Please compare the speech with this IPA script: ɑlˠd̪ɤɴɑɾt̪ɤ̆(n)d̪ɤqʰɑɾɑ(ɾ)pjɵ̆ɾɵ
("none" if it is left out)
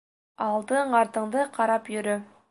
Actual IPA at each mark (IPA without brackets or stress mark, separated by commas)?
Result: ɴ, none